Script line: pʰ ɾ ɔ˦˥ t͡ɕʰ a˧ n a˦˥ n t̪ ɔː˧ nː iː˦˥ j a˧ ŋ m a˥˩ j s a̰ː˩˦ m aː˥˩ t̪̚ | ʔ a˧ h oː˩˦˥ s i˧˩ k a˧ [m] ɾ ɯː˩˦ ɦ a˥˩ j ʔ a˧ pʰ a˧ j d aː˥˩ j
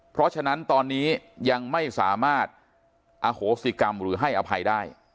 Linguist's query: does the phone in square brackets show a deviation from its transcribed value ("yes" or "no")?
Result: no